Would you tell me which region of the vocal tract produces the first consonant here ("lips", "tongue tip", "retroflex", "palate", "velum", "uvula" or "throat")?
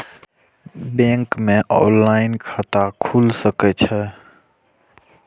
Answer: lips